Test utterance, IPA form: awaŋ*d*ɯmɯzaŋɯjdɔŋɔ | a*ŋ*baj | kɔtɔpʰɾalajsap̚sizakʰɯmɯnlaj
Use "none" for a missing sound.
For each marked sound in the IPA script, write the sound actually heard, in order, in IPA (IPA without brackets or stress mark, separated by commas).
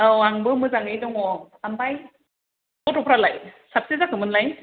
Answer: b, m